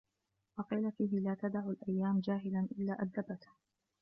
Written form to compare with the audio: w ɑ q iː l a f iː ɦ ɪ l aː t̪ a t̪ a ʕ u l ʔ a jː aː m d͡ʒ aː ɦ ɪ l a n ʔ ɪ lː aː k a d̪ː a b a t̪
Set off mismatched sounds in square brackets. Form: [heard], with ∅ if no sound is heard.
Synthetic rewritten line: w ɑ q iː l a f iː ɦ ɪ l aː t̪ a [d̪] a ʕ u l ʔ a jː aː m d͡ʒ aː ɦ ɪ l a n ʔ ɪ lː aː [ʔ] a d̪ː a b a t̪